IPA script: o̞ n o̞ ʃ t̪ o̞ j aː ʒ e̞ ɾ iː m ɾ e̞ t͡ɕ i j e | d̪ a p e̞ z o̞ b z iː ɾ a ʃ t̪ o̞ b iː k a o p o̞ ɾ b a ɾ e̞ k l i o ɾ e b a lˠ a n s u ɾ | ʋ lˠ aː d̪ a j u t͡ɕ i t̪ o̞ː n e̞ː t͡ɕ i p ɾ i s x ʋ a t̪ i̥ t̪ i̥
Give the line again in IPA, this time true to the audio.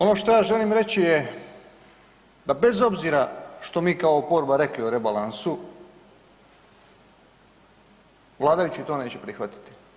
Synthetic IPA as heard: o̞ n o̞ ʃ t̪ o̞ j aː ʒ e̞ l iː m ɾ e̞ t͡ɕ i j e | d̪ a b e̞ z o̞ b z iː ɾ a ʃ t̪ o̞ m iː k a o p o̞ ɾ b a ɾ e̞ k l i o ɾ e b a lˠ a n s u | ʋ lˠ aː d̪ a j u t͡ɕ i t̪ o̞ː n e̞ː t͡ɕ e p ɾ i x ʋ a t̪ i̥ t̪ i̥